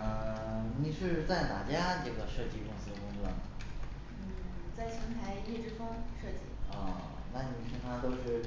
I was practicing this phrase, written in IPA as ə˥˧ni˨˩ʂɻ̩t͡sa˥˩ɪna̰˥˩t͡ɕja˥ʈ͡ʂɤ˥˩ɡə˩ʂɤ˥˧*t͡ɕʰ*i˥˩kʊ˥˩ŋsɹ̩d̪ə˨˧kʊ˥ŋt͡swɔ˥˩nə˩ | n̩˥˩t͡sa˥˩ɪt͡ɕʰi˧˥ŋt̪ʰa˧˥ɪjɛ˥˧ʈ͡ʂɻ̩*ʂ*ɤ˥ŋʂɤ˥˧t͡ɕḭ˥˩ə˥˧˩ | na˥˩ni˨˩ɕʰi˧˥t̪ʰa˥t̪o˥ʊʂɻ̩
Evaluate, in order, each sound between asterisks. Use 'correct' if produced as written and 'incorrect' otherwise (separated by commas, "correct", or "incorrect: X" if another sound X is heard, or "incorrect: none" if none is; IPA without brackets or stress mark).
incorrect: t͡ɕ, incorrect: f